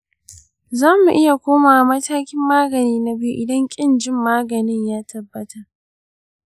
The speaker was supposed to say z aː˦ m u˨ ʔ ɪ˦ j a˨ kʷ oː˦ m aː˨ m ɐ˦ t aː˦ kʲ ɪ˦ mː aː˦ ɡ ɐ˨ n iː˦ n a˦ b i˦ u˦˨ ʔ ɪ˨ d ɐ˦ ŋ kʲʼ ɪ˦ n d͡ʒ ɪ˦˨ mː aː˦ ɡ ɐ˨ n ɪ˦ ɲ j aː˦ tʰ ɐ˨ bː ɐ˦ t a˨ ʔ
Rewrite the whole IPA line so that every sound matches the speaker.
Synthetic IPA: z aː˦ m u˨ ʔ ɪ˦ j a˨ kʷ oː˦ m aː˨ m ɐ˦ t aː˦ kʲ ɪ˦ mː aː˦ ɡ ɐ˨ n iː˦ n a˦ b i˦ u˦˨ ʔ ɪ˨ d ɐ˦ ŋ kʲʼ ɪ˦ n d͡ʒ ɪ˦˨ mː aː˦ ɡ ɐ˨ n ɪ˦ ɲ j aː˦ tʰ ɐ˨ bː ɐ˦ t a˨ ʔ